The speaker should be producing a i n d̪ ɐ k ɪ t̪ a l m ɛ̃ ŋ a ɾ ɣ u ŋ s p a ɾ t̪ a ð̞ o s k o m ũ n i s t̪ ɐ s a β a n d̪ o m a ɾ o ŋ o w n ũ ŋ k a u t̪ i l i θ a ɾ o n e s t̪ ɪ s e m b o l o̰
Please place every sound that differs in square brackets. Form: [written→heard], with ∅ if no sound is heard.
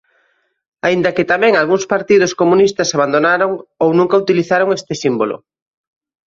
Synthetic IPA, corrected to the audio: a i n d̪ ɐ k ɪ t̪ a [l→∅] m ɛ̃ ŋ a [ɾ→l] ɣ u ŋ s p a ɾ t̪ [a→i] ð̞ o s k o m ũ n i s t̪ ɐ s a β a n d̪ o [m→n] a ɾ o ŋ o w n ũ ŋ k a u t̪ i l i θ a ɾ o [n→ŋ] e s t̪ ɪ s [e→i] m b o l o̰